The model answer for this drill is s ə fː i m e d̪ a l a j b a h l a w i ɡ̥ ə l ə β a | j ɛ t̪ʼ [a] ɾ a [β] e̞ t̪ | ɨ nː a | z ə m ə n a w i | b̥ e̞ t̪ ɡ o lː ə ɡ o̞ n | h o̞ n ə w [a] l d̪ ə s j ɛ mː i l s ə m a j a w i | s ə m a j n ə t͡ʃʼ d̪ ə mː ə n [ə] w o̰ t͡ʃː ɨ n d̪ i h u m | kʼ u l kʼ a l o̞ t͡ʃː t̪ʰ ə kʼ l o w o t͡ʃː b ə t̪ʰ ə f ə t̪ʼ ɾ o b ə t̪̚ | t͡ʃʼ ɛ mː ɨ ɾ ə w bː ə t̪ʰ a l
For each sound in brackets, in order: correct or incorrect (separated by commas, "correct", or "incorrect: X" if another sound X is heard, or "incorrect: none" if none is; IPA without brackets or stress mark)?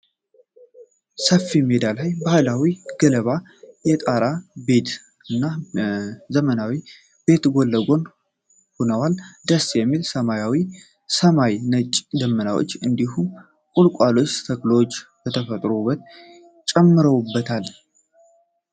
correct, incorrect: b, correct, incorrect: a